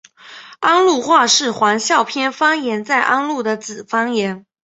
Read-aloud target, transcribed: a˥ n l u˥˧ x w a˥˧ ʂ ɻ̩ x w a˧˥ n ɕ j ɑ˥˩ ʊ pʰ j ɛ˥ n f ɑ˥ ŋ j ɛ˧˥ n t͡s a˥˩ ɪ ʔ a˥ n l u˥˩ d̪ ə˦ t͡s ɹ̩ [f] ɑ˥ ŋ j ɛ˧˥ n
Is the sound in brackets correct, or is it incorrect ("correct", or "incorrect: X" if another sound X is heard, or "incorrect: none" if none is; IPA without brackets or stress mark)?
correct